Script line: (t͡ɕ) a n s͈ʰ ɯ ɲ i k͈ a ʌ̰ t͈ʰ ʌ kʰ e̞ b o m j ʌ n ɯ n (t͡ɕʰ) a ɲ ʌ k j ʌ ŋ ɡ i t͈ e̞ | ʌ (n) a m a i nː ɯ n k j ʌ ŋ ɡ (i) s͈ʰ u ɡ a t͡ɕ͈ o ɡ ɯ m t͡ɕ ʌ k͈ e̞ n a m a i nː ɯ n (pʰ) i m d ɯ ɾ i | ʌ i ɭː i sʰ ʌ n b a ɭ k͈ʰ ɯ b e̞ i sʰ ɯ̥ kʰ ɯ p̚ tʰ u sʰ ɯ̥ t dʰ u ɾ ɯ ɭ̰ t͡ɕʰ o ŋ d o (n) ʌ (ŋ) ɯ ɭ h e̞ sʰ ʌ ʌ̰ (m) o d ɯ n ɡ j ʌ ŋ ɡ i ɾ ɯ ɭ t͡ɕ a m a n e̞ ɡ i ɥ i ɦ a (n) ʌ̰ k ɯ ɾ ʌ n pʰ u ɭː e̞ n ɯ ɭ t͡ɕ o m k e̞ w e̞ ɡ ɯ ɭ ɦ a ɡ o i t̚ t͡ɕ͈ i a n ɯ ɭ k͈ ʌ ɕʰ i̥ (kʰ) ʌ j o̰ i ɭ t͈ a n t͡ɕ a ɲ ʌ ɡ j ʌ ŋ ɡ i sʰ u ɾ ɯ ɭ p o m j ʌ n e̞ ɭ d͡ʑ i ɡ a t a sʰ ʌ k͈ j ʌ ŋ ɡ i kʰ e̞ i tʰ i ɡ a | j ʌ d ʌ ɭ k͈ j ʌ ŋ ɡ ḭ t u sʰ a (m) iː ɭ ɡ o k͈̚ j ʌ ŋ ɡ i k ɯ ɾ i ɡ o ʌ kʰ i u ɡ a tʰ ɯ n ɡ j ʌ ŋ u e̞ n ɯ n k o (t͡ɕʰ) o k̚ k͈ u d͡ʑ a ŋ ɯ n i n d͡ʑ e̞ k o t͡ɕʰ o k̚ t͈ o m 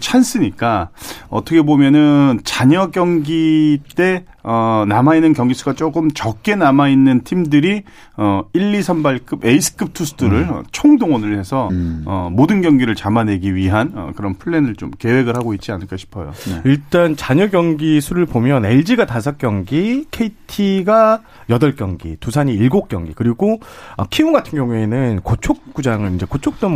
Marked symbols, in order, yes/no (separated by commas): no, no, yes, yes, no, no, no, yes, yes, no, no, yes